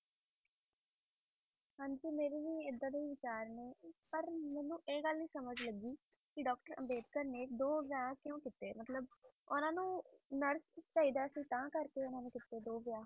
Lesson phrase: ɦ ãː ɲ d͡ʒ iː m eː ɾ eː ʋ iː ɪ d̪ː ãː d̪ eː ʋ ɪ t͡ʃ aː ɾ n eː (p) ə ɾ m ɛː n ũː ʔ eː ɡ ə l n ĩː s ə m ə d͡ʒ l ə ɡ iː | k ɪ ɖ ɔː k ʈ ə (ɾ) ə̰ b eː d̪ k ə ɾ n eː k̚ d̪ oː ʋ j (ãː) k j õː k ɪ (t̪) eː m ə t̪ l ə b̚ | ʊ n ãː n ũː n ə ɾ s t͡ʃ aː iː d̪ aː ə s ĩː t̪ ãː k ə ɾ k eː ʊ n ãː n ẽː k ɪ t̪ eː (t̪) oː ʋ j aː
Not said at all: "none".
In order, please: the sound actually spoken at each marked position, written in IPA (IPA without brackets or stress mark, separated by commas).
p, ɾ, aː, t̪, d̪